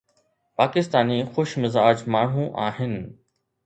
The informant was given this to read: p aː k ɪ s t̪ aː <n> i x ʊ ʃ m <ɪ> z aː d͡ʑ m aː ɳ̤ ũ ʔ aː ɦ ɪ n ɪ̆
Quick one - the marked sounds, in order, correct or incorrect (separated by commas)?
correct, correct